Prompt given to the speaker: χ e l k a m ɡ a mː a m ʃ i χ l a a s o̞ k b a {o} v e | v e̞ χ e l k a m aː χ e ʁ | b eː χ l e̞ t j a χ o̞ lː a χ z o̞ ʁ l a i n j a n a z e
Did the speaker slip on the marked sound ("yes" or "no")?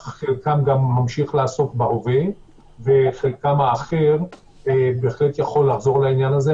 no